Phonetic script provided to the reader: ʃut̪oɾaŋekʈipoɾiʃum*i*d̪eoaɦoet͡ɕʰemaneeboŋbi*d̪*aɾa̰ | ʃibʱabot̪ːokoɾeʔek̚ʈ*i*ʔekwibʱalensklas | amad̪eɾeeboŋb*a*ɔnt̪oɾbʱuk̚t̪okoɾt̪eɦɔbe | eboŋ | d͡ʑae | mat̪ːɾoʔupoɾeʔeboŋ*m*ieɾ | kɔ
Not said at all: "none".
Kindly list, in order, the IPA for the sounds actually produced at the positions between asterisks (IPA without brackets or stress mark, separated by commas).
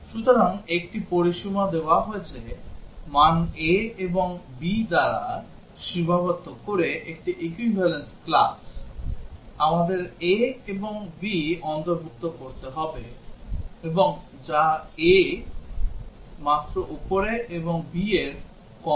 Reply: a, d̪, i, i, b